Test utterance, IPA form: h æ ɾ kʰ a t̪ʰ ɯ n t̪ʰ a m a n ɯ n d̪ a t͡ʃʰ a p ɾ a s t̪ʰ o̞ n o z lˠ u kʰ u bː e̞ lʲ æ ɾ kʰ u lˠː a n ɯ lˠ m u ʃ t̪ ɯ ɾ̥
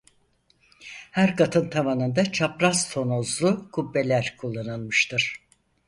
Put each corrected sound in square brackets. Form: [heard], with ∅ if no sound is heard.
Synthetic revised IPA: h æ ɾ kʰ a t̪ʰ ɯ n t̪ʰ a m a n ɯ n d̪ a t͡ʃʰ a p ɾ a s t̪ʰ o̞ n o z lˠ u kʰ u bː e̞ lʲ æ ɾ kʰ u lˠː a n ɯ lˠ m [ɯ] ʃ t̪ ɯ ɾ̥